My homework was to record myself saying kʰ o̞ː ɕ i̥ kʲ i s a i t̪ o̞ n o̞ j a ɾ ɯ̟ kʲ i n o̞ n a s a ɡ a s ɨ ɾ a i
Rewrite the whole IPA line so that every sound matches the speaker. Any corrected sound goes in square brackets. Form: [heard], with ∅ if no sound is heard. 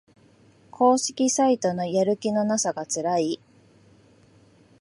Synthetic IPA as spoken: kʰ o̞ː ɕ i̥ kʲ i s a i t̪ o̞ n o̞ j a ɾ ɯ̟ kʲ i n o̞ n a s a ɡ a [t͡s] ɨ ɾ a i